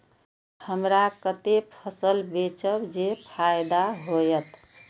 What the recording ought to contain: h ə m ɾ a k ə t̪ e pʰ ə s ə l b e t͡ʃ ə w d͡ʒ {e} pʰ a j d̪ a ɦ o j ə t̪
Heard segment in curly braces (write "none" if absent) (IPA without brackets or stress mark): e